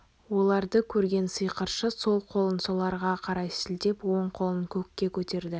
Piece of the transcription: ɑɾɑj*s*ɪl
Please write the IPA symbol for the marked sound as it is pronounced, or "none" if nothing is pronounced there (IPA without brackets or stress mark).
s